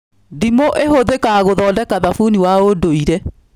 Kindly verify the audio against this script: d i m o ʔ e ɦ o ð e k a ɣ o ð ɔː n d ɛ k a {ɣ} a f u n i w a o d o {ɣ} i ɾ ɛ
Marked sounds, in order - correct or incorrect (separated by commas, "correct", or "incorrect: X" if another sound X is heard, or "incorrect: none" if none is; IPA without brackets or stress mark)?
incorrect: ð, incorrect: none